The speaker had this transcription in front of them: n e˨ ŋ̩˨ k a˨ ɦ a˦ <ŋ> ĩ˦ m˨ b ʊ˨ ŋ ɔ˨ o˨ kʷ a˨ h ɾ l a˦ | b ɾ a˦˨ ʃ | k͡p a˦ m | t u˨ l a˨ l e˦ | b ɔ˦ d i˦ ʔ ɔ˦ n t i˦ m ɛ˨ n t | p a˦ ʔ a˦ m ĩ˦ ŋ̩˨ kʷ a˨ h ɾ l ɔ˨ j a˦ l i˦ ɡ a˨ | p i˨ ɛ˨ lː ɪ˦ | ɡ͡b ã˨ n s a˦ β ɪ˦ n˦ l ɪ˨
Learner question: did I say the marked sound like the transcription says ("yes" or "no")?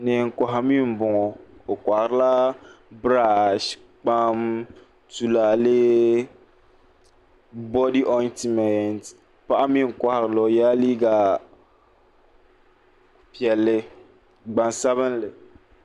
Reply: no